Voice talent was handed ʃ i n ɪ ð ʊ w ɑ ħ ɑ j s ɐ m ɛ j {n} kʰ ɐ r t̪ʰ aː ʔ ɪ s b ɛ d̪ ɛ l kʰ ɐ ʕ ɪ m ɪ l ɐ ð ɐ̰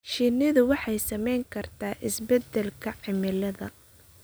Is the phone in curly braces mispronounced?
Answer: yes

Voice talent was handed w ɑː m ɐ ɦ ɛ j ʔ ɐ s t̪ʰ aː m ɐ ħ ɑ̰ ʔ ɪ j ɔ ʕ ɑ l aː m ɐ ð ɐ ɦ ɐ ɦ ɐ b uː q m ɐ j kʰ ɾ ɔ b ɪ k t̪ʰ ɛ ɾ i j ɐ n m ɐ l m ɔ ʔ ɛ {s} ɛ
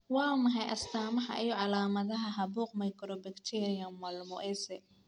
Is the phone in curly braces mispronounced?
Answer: no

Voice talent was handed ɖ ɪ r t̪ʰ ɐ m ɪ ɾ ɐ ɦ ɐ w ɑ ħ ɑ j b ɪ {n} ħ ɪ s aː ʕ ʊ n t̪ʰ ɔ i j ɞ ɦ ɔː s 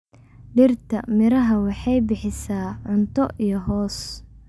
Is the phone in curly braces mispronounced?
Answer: yes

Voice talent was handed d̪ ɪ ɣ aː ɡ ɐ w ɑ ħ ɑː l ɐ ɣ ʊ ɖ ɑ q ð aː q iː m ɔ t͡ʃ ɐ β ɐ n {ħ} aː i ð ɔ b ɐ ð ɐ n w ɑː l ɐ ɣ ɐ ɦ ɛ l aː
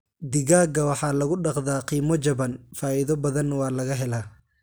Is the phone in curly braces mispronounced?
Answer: yes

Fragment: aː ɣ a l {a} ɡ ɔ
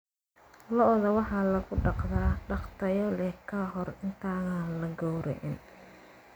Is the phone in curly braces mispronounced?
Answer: yes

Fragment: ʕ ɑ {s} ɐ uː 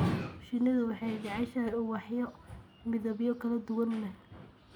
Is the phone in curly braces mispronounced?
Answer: yes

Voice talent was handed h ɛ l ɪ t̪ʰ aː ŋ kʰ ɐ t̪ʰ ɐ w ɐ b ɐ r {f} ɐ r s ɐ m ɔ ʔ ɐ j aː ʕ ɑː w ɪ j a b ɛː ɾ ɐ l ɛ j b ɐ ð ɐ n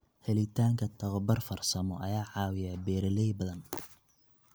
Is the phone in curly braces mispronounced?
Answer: no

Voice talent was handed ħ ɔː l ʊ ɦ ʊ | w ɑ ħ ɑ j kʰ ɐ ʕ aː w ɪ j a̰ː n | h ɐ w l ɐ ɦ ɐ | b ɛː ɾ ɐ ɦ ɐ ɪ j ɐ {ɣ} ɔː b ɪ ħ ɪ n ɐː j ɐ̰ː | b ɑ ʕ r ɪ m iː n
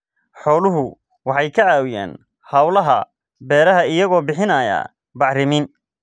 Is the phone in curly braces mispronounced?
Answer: no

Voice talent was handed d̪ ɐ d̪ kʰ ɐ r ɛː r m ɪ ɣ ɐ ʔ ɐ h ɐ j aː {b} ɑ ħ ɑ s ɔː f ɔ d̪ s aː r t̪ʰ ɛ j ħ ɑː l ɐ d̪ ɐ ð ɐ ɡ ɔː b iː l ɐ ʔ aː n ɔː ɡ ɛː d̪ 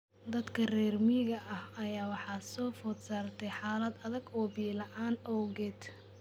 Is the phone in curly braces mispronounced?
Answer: yes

